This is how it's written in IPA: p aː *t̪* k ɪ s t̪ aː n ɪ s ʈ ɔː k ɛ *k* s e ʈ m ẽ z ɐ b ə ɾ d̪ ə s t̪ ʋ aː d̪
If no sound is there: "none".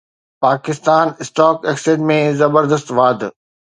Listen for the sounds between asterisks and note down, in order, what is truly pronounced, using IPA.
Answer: none, k

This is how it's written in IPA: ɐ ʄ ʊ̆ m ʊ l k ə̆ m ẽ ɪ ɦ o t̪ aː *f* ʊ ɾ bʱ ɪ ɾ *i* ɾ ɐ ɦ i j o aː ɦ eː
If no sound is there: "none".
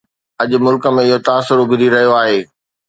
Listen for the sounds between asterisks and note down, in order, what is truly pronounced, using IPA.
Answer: s, i

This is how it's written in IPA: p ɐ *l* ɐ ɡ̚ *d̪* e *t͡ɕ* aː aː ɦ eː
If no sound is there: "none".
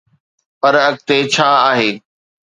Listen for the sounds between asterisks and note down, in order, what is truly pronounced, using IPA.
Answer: ɾ, t̪, t͡ɕʰ

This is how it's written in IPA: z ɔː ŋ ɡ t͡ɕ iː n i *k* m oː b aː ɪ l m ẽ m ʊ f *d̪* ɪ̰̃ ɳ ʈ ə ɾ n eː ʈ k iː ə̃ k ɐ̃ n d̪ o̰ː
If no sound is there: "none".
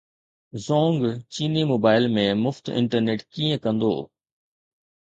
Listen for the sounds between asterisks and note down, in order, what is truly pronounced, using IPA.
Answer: none, t̪

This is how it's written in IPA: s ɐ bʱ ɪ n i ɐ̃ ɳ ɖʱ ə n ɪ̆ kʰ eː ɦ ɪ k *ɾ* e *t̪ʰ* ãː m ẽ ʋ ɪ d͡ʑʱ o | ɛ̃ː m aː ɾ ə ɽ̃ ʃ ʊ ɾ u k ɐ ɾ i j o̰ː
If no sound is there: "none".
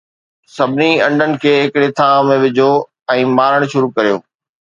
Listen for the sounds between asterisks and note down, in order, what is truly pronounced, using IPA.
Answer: ɽ, t̪ʰ

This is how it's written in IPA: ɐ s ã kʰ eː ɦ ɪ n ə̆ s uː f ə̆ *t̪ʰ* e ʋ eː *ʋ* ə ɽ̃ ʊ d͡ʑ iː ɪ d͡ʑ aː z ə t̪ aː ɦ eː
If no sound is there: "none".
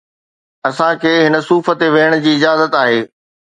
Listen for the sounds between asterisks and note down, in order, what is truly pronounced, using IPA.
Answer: t̪, none

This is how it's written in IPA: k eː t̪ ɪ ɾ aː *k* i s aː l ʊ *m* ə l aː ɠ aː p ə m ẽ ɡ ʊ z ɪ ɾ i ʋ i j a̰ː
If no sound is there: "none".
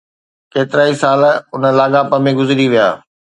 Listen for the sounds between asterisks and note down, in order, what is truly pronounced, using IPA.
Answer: none, n

